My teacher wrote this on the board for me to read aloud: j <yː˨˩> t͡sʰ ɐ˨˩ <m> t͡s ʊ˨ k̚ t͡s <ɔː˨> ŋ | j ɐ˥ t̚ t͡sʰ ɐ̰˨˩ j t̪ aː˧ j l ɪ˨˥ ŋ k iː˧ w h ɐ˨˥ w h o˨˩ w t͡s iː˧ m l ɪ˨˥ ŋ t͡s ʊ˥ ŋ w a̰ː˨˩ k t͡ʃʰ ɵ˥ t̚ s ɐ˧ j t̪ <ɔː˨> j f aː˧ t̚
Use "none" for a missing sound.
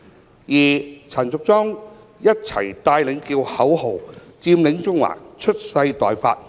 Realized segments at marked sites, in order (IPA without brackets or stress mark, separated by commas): iː˨˩, n, ɔː˥, ɔː˨